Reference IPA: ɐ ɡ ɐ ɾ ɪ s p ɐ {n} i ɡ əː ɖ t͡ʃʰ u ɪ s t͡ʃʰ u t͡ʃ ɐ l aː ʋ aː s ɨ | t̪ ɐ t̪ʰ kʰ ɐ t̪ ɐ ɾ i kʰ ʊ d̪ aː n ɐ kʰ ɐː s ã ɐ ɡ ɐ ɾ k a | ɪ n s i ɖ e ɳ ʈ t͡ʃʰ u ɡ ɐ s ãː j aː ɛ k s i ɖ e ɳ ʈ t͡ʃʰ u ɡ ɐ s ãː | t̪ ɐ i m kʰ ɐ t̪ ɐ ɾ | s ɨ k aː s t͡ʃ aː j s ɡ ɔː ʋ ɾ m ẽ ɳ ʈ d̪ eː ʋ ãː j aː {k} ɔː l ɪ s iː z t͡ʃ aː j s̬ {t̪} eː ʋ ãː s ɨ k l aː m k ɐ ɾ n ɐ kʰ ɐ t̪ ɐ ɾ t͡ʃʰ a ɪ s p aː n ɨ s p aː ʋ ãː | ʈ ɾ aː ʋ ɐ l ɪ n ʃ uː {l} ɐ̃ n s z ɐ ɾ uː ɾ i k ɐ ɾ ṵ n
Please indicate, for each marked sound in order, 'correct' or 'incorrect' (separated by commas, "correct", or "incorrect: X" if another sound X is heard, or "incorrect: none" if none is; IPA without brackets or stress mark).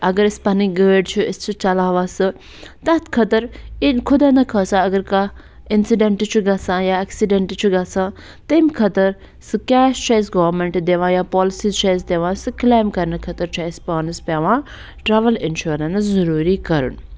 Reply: correct, incorrect: p, incorrect: d̪, incorrect: ɾ